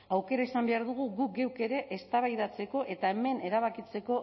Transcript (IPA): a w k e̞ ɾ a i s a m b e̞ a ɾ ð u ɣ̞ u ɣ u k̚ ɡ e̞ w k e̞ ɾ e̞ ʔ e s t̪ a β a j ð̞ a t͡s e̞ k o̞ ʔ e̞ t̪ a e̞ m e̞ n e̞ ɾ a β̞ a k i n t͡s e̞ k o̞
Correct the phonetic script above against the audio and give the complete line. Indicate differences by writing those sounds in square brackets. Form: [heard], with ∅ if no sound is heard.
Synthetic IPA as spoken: a w k e̞ ɾ a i s a m b e̞ a ɾ ð u ɣ̞ u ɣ u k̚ ɡ e̞ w k e̞ ɾ e̞ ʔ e s t̪ a β a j ð̞ a t͡s e̞ k o̞ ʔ e̞ t̪ a e̞ m e̞ n e̞ ɾ a β̞ a k i [∅] t͡s e̞ k o̞